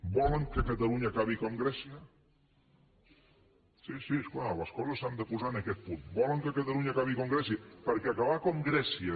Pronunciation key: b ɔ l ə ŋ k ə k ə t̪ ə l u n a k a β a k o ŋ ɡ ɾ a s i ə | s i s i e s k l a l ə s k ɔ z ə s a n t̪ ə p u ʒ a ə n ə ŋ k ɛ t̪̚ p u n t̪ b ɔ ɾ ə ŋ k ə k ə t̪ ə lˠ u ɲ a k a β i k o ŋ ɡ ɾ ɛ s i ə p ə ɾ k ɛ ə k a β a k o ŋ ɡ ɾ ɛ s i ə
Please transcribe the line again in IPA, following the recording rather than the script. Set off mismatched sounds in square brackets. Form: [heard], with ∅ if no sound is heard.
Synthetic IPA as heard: b ɔ l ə ŋ k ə k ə t̪ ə l u [ɲ] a k a β [i] k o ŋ ɡ ɾ [ɛ] s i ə | s i s i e s k l a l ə s k ɔ z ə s a n [d̪] ə p u [z] a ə n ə [∅] k ɛ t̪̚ p u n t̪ b ɔ [l] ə ŋ k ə k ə t̪ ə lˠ u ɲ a k a β i k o ŋ ɡ ɾ ɛ s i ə p ə ɾ k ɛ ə k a β a k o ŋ ɡ ɾ ɛ s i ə